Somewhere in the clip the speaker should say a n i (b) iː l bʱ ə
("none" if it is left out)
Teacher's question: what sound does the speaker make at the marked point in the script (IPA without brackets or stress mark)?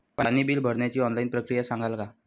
b